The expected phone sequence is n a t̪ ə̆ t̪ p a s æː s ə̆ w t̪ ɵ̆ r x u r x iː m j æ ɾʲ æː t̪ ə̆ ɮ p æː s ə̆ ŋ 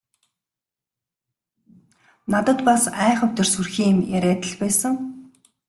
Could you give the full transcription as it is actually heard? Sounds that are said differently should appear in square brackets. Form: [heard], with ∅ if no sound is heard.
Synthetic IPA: n a t̪ ə̆ t̪ p a s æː [χ] ə̆ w t̪ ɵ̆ r [s] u r x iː m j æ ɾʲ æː t̪ ə̆ ɮ p æː s ə̆ ŋ